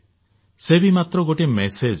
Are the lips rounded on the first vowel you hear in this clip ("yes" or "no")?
no